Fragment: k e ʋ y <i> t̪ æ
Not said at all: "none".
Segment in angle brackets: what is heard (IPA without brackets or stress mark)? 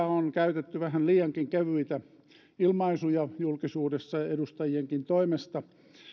i